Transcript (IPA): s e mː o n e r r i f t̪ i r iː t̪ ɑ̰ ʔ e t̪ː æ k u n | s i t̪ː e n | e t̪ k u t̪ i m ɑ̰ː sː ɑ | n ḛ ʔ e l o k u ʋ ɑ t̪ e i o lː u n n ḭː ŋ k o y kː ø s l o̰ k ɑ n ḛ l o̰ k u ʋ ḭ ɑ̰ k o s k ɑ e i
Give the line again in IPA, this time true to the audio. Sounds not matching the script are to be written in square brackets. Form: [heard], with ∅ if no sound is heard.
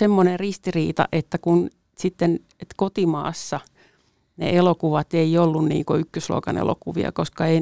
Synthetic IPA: s e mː o n e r r i [s] t̪ i r iː t̪ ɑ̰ ʔ e t̪ː æ k u n | s i t̪ː e n | e t̪ k [o] t̪ i m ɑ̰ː sː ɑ | n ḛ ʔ e l o k u ʋ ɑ t̪ e i o lː u n n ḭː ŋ k o y kː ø s l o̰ k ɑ n ḛ l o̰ k u ʋ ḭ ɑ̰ k o s k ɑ e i